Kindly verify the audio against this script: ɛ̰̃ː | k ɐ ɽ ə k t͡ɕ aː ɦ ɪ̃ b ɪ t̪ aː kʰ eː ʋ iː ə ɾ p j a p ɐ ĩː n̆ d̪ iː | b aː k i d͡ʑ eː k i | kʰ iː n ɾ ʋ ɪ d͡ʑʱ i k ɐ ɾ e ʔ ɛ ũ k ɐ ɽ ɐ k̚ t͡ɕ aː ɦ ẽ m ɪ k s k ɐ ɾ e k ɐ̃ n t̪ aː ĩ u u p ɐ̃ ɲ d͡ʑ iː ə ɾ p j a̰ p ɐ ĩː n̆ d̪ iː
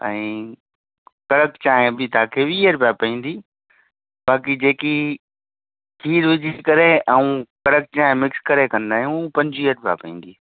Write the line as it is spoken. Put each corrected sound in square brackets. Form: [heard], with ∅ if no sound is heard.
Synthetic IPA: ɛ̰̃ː | k ɐ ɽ ə k t͡ɕ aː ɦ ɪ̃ b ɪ t̪ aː kʰ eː ʋ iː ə ɾ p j a p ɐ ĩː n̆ d̪ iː | b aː k i d͡ʑ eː k i | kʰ iː [∅] ɾ ʋ ɪ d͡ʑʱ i k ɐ ɾ e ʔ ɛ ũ k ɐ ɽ [ə] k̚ t͡ɕ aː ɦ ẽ m ɪ k s k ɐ ɾ e k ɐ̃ n [d̪] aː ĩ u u p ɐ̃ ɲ d͡ʑ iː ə ɾ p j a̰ p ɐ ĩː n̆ d̪ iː

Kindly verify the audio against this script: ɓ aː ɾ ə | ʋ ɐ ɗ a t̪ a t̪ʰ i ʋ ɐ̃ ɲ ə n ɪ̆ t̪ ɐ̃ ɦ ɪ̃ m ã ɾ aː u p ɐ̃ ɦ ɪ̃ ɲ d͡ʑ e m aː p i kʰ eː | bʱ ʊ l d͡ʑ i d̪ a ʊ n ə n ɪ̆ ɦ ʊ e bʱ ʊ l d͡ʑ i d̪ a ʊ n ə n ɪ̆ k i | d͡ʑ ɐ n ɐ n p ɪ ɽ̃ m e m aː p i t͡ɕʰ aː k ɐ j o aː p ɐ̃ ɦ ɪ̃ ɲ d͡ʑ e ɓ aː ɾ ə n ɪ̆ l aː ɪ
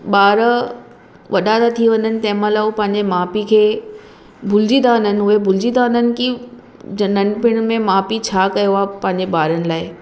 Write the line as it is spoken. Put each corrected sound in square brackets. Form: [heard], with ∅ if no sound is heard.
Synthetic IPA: ɓ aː ɾ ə | ʋ ɐ ɗ a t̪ a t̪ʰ i ʋ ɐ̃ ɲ ə n ɪ̆ t̪ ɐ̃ ɦ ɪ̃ m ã [l] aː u p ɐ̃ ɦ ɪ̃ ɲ d͡ʑ e m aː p i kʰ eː | bʱ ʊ l d͡ʑ i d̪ a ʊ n ə n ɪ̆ ɦ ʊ e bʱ ʊ l d͡ʑ i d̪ a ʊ n ə n ɪ̆ k i | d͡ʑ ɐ n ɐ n p ɪ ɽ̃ m [ẽ] m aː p i t͡ɕʰ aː k ɐ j o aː p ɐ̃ ɦ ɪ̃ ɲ d͡ʑ e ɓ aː ɾ ə n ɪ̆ l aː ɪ

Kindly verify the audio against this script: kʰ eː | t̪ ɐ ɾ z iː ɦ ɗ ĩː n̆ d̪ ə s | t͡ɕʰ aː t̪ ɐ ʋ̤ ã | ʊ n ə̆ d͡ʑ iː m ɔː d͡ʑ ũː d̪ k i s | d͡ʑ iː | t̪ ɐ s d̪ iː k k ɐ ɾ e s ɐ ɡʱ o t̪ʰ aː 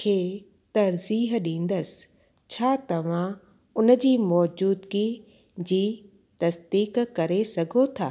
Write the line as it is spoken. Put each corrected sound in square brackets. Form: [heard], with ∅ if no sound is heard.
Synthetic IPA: kʰ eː | t̪ ɐ ɾ z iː ɦ ɗ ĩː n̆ d̪ ə s | t͡ɕʰ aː t̪ ɐ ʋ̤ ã | ʊ n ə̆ d͡ʑ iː m ɔː d͡ʑ [uː] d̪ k i [∅] | d͡ʑ iː | t̪ ɐ s d̪ iː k k ɐ ɾ e s ɐ ɡʱ o t̪ʰ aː

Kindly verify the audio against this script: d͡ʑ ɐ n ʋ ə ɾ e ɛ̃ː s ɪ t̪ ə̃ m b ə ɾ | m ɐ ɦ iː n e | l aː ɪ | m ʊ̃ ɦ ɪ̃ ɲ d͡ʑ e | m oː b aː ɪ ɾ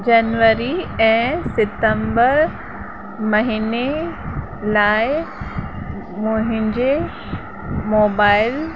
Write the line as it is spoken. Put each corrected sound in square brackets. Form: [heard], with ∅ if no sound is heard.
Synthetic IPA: d͡ʑ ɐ n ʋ ə ɾ [i] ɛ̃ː s ɪ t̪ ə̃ m b ə ɾ | m ɐ ɦ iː n e | l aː ɪ | m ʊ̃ ɦ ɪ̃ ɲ d͡ʑ e | m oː b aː ɪ [l]

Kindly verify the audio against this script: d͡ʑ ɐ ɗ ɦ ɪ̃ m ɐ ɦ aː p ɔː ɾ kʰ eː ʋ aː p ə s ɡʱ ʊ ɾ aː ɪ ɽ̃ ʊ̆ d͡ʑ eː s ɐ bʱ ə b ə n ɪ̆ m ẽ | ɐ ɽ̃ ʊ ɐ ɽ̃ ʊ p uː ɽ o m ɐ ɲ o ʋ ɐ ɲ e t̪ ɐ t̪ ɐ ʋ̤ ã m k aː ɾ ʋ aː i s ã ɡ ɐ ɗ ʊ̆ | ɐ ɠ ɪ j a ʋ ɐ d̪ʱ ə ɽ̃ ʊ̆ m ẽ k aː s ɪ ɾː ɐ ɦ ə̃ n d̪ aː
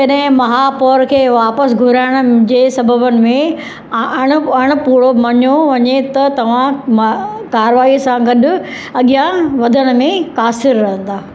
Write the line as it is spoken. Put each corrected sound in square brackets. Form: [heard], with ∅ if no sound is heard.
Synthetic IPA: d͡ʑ ɐ ɗ ɦ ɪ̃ m ɐ ɦ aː p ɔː ɾ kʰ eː ʋ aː p ə s ɡʱ ʊ ɾ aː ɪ ɽ̃ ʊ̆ d͡ʑ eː s ɐ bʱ ə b ə n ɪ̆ m ẽ | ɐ ɽ̃ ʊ ɐ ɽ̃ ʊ p uː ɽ o m ɐ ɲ o ʋ ɐ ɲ e t̪ ɐ t̪ ɐ ʋ̤ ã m k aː ɾ ʋ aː i s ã ɡ ɐ ɗ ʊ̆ | ɐ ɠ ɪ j a ʋ ɐ d̪ʱ ə ɽ̃ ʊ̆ m ẽ k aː s ɪ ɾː ɐ ɦ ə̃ n d̪ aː

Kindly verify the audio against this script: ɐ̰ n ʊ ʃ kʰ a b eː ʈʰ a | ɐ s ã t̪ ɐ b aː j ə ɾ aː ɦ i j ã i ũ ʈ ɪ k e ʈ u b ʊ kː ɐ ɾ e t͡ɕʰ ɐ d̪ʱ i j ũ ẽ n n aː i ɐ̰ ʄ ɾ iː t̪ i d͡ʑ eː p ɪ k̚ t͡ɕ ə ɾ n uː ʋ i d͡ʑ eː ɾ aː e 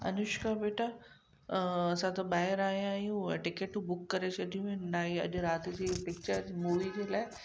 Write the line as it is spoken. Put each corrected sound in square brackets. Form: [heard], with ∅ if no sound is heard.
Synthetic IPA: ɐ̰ n ʊ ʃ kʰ a b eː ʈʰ a | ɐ s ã t̪ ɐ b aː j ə ɾ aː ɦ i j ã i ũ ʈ ɪ k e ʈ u b ʊ kː ɐ ɾ e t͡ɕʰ ɐ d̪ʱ i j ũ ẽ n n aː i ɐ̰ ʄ ɾ [aː] t̪ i d͡ʑ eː p ɪ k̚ t͡ɕ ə ɾ [m] uː ʋ i d͡ʑ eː [l] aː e

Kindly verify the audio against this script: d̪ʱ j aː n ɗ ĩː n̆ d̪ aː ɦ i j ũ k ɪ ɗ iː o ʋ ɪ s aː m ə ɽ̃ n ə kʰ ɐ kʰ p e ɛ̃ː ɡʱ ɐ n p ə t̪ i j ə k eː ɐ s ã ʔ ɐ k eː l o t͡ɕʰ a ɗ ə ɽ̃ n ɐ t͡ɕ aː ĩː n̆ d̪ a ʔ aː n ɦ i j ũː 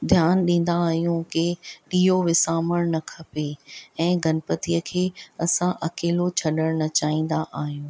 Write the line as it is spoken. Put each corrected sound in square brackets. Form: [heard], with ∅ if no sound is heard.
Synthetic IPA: d̪ʱ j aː n ɗ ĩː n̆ d̪ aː ɦ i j ũ k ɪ ɗ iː o ʋ ɪ s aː m ə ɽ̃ n [ɐ] kʰ ɐ [∅] p e ɛ̃ː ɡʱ ɐ n p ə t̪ i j ə [kʰ] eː ɐ s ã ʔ ɐ k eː l o t͡ɕʰ [ɐ] ɗ ə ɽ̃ n ɐ t͡ɕ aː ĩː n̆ d̪ a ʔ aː [∅] ɦ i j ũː

